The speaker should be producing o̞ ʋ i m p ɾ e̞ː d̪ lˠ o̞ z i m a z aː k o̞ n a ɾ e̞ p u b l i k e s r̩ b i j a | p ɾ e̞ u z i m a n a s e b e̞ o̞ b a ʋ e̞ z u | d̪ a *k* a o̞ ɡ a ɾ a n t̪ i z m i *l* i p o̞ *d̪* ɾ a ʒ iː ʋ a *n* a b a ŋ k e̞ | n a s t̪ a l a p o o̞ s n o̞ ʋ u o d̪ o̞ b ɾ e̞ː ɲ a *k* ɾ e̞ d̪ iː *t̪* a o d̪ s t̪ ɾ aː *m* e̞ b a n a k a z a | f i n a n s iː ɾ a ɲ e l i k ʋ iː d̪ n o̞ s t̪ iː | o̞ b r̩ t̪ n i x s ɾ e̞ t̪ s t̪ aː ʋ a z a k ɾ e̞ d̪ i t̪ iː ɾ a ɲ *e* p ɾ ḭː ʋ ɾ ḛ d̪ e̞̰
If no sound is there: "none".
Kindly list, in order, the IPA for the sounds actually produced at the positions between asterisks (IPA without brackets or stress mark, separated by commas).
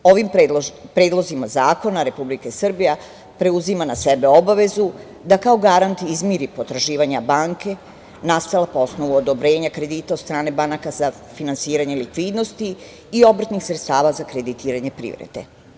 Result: k, ɾ, t̪, ɲ, k, t̪, n, e